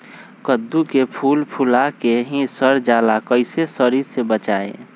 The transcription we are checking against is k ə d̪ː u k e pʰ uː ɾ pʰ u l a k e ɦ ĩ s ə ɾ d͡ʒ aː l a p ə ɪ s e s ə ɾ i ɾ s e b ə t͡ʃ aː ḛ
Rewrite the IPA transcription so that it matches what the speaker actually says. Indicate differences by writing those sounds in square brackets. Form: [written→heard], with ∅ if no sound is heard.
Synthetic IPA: k ə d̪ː u k e pʰ uː [ɾ→l] pʰ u l a k e ɦ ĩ s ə ɾ d͡ʒ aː l a [p→k] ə ɪ s e s ə ɾ i ɾ s e b ə t͡ʃ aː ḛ